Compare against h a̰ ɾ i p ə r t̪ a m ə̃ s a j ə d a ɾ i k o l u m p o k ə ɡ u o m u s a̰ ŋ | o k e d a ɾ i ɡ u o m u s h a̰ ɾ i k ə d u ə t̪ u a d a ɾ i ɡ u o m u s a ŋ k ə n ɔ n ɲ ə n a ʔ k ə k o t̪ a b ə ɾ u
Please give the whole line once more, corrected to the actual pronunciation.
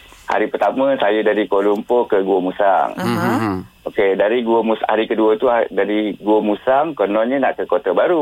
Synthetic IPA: h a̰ ɾ i p ə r t̪ a m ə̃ s a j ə d a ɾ i k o l u m p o k ə ɡ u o m u s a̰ ŋ | o k e d a ɾ i ɡ u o m u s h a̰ ɾ i k ə d u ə t̪ u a d a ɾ i ɡ u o m u s a ŋ k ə n ɔ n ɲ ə n a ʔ k ə k o t̪ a b a ɾ u